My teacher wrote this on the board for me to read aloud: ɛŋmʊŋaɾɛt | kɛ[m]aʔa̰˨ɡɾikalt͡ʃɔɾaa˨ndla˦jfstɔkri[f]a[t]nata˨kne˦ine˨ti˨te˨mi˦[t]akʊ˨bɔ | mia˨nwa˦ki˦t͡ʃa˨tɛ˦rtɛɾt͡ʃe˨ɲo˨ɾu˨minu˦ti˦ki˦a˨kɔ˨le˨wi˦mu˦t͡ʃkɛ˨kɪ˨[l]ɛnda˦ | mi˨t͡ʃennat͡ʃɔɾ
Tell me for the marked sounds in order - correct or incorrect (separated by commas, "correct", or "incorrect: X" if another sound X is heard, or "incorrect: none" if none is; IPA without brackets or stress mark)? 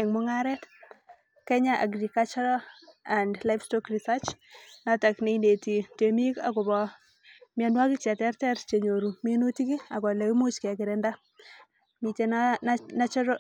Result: incorrect: ɲ, incorrect: s, incorrect: t͡ʃ, incorrect: k, incorrect: ɾ